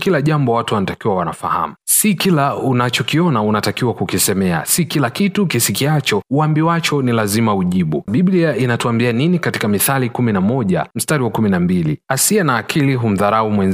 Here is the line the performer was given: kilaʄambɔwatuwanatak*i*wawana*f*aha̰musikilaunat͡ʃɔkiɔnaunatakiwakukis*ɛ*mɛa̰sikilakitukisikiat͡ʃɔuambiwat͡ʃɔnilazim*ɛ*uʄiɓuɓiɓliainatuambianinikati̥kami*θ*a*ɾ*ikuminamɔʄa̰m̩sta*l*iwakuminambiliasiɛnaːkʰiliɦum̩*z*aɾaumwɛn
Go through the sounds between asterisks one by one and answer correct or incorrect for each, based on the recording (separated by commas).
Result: correct, correct, correct, incorrect, correct, incorrect, incorrect, incorrect